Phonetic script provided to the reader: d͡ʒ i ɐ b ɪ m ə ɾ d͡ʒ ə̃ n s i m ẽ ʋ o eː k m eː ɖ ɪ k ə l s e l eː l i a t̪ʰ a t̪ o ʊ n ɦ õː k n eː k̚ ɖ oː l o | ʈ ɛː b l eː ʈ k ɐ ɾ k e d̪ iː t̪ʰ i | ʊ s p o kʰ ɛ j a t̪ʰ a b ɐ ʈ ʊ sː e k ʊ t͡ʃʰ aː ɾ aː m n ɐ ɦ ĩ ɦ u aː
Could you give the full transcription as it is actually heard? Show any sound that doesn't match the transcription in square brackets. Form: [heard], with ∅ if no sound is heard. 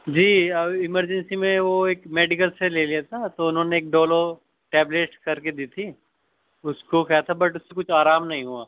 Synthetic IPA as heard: d͡ʒ [iː] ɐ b ɪ m ə ɾ d͡ʒ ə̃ n s i m ẽ ʋ o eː k m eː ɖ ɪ k ə l s e l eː l i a t̪ʰ a t̪ o ʊ n ɦ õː [∅] n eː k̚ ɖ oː l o | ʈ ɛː b l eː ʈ k ɐ ɾ k e d̪ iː t̪ʰ i | ʊ s [k] o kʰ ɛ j a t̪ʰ a b ɐ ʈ ʊ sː e k ʊ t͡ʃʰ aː ɾ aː m n ɐ ɦ ĩ ɦ u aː